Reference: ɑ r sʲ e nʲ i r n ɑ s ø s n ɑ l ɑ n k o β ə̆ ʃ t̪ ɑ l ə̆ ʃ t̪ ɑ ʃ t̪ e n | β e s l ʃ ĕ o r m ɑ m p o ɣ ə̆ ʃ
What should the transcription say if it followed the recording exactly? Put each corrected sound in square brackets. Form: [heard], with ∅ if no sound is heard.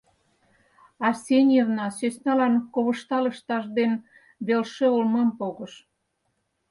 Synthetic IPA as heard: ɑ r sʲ e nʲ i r n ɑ s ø s n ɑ l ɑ n k o β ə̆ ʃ t̪ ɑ l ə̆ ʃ t̪ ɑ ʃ [d̪] e n | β e [∅] l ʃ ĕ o [l] m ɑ m p o ɣ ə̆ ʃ

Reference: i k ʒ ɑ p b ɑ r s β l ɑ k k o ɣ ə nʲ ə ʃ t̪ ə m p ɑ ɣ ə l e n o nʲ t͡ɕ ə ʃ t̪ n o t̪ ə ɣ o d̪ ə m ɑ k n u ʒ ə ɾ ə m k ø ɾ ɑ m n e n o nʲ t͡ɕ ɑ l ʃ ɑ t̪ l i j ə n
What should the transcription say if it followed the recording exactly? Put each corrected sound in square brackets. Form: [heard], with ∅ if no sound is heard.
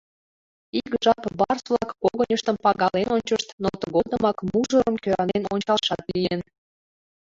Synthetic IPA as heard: i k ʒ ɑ p b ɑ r s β l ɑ k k o ɣ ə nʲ ə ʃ t̪ ə m p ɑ ɣ [ɑ] l e n o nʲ t͡ɕ ə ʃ t̪ n o t̪ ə ɣ o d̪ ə m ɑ k [m] u ʒ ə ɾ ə m k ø ɾ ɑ [∅] n e n o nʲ t͡ɕ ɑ l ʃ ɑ t̪ l i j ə n

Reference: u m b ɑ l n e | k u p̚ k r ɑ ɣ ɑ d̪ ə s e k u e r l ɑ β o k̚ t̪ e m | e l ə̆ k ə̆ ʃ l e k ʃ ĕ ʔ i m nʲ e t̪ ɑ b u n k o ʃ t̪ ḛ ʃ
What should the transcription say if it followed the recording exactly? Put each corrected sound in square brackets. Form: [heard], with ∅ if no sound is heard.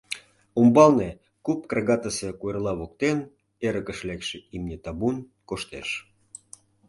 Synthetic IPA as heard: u m b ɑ l n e | k u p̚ k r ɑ ɣ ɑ [t̪] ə s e k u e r l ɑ β o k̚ t̪ e [n] | e [ɾ] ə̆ k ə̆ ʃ l e k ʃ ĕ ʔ i m nʲ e t̪ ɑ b u n k o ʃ t̪ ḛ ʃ

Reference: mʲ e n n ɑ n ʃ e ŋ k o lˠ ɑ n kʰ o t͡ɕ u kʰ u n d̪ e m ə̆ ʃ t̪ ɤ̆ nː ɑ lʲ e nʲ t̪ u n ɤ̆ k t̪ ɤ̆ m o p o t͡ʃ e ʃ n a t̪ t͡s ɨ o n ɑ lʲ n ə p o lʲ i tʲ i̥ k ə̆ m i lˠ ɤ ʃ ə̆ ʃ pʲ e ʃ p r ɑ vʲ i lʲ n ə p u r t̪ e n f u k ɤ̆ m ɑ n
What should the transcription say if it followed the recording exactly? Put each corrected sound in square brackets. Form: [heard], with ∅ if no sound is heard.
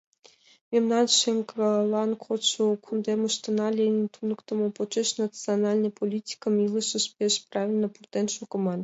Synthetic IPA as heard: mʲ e [m] n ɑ n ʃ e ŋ k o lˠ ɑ n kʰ o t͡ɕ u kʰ u n d̪ e m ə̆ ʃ t̪ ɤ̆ [n] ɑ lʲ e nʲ t̪ u n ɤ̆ k t̪ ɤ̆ m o p o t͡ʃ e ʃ n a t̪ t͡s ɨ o n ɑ lʲ n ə p o lʲ i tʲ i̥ k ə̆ m i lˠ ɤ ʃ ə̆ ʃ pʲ e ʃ p r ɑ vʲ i lʲ n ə p u r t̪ e n [ʃ] u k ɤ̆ m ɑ n

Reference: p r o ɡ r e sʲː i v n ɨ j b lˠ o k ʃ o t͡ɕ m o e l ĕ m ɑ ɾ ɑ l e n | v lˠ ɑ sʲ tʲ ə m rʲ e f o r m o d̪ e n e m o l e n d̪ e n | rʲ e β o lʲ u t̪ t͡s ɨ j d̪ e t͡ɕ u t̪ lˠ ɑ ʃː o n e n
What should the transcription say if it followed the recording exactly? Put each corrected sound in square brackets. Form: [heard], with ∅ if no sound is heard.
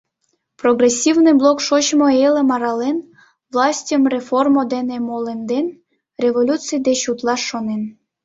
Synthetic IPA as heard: p r o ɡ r e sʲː i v n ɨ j b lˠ o k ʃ o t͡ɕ m o e l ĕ m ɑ ɾ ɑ l e n | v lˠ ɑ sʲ tʲ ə m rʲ e f o r m o d̪ e n e m o l e n d̪ e n | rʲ e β o lʲ u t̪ t͡s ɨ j d̪ e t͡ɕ u t̪ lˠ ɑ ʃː o n e n

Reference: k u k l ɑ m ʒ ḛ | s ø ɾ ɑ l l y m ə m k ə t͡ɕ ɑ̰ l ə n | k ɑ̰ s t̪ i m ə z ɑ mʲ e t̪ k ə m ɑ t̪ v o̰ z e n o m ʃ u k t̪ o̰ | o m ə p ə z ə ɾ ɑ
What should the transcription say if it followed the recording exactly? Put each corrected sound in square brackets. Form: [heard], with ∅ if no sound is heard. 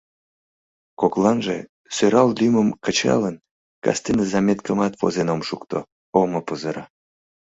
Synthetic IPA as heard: k [o] k l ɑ [n] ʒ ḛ | s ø ɾ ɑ l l y m ə m k ə t͡ɕ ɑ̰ l ə n | k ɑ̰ s t̪ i [n] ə z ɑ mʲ e t̪ k ə m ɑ t̪ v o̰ z e n o m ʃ u k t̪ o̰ | o m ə p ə z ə ɾ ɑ

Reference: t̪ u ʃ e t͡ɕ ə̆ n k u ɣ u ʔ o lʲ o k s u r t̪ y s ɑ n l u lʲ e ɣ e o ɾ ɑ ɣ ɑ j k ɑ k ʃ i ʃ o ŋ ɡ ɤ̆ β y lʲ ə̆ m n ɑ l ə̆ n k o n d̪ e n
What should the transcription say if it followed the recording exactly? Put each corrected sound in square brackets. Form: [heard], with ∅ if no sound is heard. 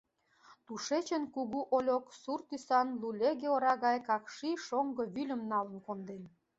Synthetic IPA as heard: t̪ u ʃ e t͡ɕ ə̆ n k u ɣ u ʔ o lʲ o k s u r t̪ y s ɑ n l u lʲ e ɣ e o ɾ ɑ ɣ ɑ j k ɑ k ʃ i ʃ o ŋ ɡ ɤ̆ β y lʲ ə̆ m n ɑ l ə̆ n k o n d̪ e n

